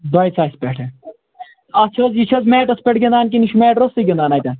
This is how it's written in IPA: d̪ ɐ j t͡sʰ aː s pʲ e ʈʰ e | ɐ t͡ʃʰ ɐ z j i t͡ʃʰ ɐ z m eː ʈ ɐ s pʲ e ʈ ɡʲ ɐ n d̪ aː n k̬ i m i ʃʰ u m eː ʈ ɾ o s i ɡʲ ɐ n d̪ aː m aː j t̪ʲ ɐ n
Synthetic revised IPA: d̪ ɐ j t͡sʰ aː s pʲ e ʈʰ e | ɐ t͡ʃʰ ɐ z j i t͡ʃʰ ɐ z m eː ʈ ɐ s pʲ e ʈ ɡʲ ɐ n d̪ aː n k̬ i n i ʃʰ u m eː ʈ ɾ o s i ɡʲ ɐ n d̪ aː n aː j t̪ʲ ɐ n